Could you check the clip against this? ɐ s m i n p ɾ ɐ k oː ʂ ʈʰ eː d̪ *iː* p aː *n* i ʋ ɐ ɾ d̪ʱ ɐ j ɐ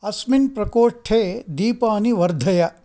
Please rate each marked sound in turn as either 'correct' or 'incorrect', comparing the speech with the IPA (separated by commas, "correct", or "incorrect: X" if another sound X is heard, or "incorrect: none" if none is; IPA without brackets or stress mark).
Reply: correct, correct